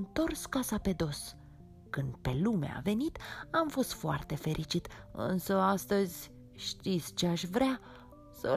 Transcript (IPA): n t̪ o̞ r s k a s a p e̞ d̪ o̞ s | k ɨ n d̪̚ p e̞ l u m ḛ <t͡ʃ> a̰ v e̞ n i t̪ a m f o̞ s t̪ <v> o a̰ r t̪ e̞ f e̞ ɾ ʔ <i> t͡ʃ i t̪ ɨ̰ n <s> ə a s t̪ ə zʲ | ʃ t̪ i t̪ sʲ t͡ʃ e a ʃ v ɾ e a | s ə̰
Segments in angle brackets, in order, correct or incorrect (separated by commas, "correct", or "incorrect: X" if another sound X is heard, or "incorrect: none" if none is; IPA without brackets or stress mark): incorrect: none, incorrect: f, correct, correct